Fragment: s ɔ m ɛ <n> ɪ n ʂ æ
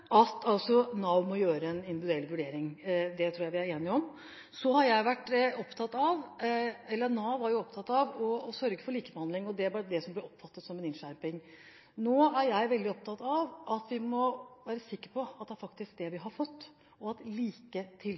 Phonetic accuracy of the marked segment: correct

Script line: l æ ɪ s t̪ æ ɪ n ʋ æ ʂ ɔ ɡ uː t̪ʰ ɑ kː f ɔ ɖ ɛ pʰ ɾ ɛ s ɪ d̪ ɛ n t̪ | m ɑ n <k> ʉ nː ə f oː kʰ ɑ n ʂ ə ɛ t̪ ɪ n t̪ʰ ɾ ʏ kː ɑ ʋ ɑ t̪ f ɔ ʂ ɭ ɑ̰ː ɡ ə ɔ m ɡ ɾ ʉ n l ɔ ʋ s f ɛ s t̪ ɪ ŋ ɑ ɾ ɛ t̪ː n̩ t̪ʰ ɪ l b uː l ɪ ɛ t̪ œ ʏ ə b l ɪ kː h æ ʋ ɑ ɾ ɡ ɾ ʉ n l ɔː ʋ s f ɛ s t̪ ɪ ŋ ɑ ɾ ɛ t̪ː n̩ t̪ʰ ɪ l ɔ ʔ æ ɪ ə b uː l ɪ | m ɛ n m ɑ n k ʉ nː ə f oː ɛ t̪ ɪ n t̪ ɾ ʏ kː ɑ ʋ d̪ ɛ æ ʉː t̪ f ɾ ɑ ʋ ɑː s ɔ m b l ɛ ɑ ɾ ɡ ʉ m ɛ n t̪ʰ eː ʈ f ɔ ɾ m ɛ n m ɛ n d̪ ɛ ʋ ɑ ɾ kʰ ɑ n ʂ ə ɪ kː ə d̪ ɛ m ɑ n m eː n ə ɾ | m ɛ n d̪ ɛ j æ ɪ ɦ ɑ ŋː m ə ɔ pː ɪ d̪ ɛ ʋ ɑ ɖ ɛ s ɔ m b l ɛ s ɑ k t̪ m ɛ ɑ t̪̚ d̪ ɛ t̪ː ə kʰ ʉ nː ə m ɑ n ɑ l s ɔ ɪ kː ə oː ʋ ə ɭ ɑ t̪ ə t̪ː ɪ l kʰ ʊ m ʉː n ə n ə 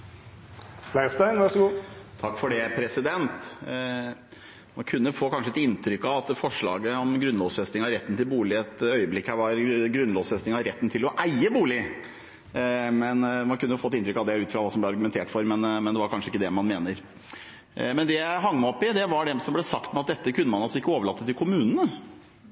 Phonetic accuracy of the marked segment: incorrect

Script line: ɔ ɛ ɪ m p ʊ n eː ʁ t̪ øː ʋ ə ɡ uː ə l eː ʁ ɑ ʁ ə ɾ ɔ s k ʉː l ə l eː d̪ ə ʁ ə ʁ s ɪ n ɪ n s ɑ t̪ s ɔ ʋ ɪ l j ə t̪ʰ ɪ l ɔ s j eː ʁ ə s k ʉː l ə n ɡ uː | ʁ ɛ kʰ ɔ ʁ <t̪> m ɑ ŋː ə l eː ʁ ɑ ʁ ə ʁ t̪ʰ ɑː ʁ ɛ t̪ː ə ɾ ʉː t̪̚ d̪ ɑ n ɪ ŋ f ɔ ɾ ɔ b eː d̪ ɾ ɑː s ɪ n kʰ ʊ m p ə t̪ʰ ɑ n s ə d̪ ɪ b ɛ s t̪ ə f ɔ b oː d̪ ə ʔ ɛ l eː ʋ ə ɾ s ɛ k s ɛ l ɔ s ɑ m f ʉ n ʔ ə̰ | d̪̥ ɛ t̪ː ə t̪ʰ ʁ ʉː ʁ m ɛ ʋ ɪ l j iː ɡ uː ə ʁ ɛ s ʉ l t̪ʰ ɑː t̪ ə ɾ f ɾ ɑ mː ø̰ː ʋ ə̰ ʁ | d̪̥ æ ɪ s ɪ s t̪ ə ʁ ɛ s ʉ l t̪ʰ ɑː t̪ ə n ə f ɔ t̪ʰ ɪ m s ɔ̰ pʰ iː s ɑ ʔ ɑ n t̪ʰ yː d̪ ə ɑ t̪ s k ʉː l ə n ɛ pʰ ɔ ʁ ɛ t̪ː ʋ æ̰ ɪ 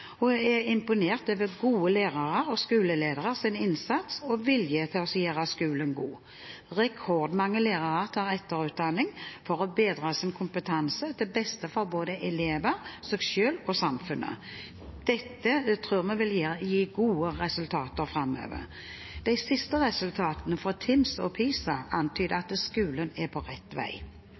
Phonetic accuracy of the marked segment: incorrect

